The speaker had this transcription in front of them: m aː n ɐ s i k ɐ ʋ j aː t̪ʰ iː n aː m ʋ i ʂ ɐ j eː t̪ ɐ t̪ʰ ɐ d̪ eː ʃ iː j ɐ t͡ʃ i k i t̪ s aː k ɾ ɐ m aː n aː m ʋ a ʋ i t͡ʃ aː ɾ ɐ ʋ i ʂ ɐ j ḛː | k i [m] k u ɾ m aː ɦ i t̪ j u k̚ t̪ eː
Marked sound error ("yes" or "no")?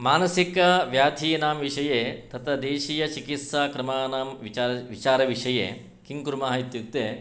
yes